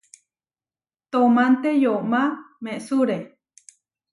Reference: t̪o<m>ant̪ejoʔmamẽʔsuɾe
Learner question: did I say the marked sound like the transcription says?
yes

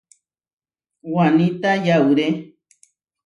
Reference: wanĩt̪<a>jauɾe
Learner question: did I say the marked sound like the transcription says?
yes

